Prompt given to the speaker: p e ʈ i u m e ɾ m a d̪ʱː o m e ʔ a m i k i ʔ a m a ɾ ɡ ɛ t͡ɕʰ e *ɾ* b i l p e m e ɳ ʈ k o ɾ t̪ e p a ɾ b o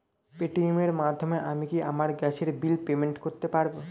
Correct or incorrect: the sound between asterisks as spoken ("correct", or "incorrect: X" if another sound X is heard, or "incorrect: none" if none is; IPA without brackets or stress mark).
correct